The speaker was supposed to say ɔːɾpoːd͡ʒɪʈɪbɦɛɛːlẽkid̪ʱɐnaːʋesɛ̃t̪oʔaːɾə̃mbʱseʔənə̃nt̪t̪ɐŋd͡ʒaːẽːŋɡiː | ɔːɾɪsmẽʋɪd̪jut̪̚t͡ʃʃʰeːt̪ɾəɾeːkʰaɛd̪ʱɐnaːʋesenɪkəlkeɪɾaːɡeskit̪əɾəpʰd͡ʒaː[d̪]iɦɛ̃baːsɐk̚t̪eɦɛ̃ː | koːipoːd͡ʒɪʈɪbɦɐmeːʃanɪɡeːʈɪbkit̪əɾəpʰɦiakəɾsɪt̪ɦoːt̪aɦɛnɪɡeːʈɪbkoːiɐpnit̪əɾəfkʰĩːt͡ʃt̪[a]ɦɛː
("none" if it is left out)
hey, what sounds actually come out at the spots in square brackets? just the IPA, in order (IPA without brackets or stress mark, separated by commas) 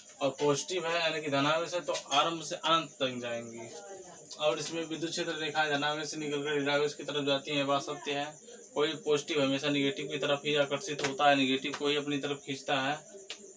t̪, a